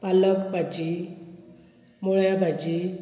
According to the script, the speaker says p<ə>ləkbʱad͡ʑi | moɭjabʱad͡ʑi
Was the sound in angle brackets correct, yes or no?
no